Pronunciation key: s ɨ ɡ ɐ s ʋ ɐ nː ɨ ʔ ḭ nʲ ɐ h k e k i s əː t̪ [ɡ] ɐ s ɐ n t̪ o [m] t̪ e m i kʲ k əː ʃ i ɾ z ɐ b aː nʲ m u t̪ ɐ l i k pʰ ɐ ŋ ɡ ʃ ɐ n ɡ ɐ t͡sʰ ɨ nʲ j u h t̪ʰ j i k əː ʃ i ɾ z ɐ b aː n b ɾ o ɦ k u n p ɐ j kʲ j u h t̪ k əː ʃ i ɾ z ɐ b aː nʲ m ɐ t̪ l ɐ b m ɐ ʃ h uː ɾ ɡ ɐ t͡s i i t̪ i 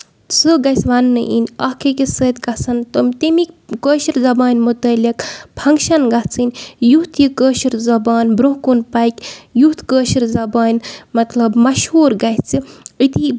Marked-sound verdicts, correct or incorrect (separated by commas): correct, correct